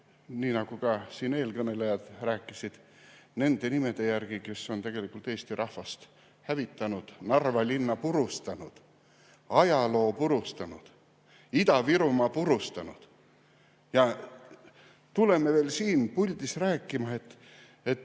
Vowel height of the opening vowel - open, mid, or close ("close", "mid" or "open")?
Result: close